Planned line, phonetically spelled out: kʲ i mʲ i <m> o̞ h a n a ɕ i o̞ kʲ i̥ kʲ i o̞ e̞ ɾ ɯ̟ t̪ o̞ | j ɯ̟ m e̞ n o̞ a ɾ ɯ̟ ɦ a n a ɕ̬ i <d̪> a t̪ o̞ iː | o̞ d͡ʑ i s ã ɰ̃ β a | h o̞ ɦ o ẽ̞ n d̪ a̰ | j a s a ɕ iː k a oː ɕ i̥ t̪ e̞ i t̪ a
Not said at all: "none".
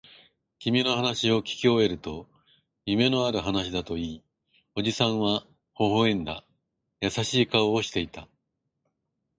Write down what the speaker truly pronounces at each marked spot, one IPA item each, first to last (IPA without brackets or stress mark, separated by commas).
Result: n, d̪